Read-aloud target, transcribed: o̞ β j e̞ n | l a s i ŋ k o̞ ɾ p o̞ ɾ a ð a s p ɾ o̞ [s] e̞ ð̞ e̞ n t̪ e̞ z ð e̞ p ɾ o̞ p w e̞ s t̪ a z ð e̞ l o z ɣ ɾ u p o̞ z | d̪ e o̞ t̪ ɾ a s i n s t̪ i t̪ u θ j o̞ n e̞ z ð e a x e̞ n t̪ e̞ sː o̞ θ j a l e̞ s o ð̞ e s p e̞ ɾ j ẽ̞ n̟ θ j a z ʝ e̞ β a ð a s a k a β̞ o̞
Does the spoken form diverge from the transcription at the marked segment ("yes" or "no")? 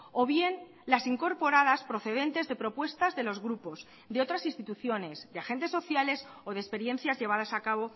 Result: yes